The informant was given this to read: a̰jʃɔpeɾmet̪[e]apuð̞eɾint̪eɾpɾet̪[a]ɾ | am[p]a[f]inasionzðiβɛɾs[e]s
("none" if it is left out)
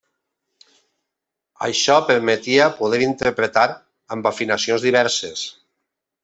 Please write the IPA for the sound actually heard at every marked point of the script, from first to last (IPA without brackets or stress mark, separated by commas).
i, a, b, f, e